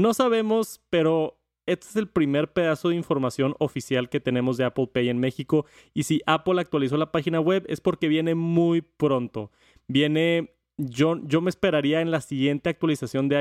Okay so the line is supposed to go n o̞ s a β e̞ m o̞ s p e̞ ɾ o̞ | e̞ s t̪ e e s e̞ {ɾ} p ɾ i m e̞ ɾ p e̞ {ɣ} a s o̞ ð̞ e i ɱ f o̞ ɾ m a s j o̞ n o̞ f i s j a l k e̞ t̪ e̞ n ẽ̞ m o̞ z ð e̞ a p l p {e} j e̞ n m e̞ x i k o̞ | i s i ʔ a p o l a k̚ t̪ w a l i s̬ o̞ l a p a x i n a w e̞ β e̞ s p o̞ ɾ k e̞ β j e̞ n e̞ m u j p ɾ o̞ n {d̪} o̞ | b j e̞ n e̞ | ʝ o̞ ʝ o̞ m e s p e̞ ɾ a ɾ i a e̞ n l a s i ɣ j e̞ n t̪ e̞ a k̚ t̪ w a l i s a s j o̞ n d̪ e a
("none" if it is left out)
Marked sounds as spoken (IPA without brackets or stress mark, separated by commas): l, ð, e, t̪